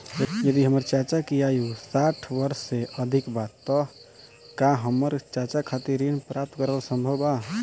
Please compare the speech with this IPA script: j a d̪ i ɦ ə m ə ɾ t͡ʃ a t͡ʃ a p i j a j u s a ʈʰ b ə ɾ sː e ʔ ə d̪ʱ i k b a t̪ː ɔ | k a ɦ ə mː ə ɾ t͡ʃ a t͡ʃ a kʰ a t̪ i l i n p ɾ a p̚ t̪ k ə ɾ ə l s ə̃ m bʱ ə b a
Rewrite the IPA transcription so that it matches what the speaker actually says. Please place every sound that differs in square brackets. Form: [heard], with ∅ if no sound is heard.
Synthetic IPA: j [ə] d̪ i ɦ ə m ə ɾ t͡ʃ a t͡ʃ a [k] i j a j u s a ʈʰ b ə ɾ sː e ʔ ə d̪ʱ i k b a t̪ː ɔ | k a ɦ ə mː ə ɾ t͡ʃ a t͡ʃ a kʰ a t̪ i [ɾ] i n p ɾ a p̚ t̪ k ə ɾ ə l s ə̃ m bʱ ə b a